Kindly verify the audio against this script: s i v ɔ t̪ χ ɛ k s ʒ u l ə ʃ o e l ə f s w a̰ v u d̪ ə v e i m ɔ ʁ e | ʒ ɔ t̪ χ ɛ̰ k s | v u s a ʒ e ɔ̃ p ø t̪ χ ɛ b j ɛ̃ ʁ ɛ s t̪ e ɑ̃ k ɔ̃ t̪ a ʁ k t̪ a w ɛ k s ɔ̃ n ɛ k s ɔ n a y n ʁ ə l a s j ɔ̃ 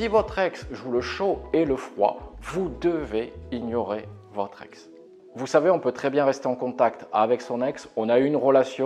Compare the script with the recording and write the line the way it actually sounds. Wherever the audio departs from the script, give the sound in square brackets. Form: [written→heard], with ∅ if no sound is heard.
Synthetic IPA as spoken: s i v ɔ t̪ χ ɛ k s ʒ u l ə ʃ o e l ə f [s→χ] w a̰ v u d̪ ə v e i [m→ɲ] ɔ ʁ e | [ʒ→v] ɔ t̪ χ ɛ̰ k s | v u s a [ʒ→v] e ɔ̃ p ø t̪ χ ɛ b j ɛ̃ ʁ ɛ s t̪ e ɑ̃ k ɔ̃ t̪ a [ʁ→∅] k t̪ a [w→v] ɛ k s ɔ̃ n ɛ k s [ɔ→ɔ̃] n a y n ʁ ə l a s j ɔ̃